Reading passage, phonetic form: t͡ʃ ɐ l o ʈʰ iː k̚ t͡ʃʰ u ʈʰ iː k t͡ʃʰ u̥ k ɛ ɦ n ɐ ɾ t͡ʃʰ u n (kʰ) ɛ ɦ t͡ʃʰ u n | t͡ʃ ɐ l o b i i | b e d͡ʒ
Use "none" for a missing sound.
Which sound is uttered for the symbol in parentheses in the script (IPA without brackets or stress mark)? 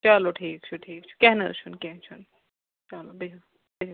k